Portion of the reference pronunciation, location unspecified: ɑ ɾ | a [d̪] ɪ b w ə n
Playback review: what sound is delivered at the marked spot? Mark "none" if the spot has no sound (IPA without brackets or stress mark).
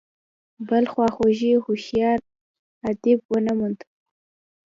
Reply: d̪